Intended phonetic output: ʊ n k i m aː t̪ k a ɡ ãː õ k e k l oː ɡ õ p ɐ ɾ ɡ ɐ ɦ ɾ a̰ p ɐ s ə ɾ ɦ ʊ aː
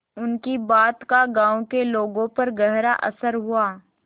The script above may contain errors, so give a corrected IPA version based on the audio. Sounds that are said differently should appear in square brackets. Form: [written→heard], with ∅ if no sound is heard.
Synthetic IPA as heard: ʊ n k i [m→b] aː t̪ k a ɡ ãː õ k e [k→∅] l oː ɡ õ p ɐ ɾ ɡ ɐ ɦ ɾ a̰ [p→ʔ] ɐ s ə ɾ ɦ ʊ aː